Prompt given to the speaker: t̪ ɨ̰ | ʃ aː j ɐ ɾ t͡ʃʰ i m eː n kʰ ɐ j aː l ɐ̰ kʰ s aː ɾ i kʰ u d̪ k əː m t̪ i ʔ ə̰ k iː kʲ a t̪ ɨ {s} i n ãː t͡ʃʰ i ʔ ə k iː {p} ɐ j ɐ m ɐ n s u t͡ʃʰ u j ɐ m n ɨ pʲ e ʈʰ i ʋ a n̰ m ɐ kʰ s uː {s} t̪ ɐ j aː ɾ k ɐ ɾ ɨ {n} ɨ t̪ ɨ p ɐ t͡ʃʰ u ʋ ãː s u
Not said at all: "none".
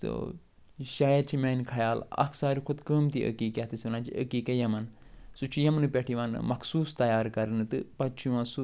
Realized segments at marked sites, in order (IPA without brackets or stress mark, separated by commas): s, k, s, n